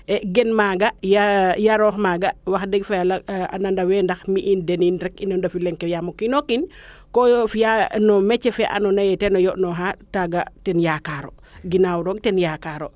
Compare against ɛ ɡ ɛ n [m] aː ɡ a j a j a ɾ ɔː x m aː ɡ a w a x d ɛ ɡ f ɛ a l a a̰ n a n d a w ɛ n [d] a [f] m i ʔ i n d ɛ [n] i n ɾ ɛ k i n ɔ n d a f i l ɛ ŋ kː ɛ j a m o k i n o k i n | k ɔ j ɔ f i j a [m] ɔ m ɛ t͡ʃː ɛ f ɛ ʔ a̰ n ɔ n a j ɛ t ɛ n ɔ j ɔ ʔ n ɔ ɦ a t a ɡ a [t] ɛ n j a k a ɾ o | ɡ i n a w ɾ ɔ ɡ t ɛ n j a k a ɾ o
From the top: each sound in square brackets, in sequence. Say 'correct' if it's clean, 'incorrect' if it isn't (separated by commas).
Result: correct, correct, incorrect, correct, incorrect, correct